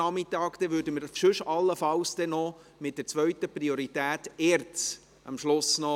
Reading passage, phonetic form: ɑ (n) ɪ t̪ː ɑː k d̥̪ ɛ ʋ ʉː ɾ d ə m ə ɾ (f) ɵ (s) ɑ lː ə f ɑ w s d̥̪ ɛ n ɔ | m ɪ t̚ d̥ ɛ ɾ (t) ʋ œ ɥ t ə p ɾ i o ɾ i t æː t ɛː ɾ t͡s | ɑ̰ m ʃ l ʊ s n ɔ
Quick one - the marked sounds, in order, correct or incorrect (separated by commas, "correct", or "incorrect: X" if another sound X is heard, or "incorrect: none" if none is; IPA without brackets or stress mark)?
incorrect: m, incorrect: ʃ, incorrect: ʃ, incorrect: t͡s